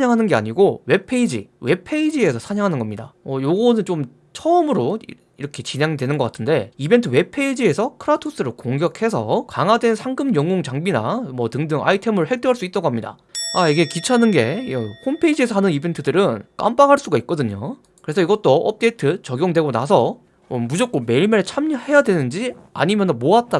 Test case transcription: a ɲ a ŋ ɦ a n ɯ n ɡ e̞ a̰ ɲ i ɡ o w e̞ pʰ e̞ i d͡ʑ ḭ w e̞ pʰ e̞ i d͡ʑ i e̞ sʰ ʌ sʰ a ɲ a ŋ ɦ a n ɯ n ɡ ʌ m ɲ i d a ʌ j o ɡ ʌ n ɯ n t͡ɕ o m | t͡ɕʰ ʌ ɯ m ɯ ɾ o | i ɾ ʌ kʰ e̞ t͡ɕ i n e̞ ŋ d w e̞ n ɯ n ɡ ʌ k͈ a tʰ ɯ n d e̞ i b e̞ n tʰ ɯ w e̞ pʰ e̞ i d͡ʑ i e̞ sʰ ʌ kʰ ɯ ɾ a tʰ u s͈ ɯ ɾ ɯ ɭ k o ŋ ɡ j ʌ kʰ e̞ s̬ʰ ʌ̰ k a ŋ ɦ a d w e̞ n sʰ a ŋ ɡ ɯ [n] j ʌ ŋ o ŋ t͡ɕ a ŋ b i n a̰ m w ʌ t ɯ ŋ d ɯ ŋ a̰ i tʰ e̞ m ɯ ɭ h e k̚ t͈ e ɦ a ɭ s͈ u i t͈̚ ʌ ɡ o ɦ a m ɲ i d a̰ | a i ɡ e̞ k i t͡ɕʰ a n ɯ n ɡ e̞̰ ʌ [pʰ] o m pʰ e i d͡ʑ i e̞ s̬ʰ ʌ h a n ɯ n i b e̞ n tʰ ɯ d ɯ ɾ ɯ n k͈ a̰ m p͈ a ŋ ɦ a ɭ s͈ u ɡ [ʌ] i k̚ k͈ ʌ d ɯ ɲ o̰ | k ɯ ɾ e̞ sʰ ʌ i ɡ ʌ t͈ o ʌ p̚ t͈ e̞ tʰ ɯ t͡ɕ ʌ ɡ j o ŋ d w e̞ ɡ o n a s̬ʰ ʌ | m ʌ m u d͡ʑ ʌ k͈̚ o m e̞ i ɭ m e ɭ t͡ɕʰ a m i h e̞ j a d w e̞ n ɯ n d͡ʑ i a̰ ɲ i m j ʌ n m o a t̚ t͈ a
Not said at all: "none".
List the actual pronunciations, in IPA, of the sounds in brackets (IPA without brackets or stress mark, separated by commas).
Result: m, kʰ, a